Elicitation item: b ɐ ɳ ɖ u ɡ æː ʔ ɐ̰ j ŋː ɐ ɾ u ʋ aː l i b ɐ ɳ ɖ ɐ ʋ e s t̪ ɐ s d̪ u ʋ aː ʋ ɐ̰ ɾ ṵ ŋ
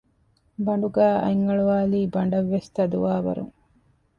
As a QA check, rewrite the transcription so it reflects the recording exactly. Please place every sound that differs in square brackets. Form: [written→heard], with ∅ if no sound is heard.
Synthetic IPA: b ɐ ɳ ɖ u ɡ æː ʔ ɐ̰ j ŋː ɐ [ɾ→ɭ] u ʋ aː l [i→iː] b ɐ ɳ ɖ ɐ [ʋ→ʋː] e s t̪ ɐ [s→∅] d̪ u ʋ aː ʋ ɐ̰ ɾ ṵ ŋ

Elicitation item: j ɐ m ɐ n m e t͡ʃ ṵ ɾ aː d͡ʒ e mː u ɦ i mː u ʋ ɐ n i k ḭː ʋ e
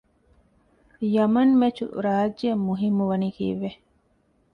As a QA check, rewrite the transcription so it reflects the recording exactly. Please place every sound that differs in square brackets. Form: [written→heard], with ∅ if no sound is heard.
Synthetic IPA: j ɐ m ɐ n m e t͡ʃ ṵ ɾ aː d͡ʒ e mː u ɦ i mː u ʋ ɐ n i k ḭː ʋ e

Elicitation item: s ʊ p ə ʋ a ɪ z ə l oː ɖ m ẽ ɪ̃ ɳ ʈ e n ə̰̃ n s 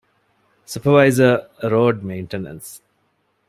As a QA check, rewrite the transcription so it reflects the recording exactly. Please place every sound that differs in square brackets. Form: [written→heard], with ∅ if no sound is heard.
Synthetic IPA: s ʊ p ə ʋ a ɪ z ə [l→ɾ] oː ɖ m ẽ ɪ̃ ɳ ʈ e n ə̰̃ n s

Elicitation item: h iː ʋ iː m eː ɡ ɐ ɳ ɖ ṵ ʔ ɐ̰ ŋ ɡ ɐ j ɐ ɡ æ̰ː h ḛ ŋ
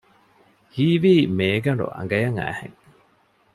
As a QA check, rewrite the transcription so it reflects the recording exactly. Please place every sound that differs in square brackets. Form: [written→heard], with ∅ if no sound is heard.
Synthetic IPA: h iː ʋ iː m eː ɡ ɐ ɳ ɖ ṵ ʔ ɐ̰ ŋ ɡ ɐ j ɐ [ɡ→ŋ] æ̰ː h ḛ ŋ

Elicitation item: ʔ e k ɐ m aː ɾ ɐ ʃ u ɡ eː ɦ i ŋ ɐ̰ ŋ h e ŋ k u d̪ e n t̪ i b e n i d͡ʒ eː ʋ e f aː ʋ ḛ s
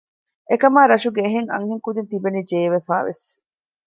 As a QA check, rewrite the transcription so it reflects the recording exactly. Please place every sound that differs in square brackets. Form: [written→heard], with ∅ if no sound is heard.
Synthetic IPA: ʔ e k ɐ m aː ɾ ɐ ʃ u ɡ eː ɦ [i→e] ŋ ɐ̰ ŋ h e ŋ k u d̪ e n t̪ i b e n i d͡ʒ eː ʋ e f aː ʋ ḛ s

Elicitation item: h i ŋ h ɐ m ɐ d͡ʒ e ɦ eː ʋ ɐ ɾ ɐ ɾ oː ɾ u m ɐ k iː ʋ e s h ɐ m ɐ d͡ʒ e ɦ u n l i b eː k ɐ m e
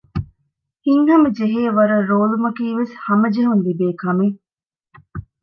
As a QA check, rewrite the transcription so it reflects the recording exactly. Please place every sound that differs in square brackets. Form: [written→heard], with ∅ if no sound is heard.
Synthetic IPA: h i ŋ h ɐ m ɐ d͡ʒ e ɦ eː ʋ ɐ ɾ ɐ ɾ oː [ɾ→l] u m ɐ k iː ʋ e s h ɐ m ɐ d͡ʒ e ɦ u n l i b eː k ɐ m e

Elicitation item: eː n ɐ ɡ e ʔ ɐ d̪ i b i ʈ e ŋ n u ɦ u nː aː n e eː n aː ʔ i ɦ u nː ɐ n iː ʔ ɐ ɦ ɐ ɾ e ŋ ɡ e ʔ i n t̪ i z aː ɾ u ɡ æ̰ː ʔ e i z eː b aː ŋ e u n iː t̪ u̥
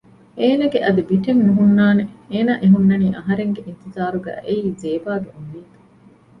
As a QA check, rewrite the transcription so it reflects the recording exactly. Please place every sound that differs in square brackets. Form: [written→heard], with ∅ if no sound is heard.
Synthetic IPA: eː n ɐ ɡ e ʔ ɐ d̪ i b i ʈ e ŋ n u ɦ u nː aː n e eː n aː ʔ [i→e] ɦ u nː ɐ n iː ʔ ɐ ɦ ɐ ɾ e ŋ ɡ e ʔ i n t̪ i z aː ɾ u ɡ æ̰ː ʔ e [i→iː] z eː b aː [ŋ→ɡ] e u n iː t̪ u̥

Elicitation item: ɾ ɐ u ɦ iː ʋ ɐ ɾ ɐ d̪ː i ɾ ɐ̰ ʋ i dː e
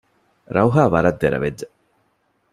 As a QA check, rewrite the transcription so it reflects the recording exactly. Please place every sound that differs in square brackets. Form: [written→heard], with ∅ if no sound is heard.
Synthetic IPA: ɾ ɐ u ɦ [iː→aː] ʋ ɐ ɾ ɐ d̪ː [i→e] ɾ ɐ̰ ʋ [i→e] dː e

